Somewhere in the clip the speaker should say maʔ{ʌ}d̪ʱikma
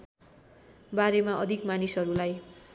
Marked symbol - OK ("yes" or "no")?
yes